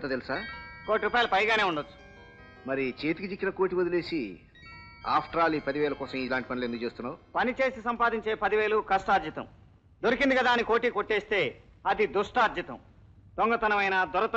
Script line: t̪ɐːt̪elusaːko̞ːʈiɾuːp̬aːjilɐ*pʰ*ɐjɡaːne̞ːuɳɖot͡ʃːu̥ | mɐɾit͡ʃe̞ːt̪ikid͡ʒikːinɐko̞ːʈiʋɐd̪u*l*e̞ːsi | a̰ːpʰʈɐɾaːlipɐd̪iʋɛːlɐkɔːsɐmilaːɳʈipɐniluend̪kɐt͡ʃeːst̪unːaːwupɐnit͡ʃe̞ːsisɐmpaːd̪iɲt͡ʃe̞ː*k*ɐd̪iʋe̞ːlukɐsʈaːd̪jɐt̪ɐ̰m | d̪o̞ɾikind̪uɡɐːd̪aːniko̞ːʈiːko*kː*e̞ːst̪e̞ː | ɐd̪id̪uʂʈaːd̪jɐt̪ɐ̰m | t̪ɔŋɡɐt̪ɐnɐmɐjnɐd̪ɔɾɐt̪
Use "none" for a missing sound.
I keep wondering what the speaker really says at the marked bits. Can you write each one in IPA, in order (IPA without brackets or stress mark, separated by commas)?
p, l, p, ʈː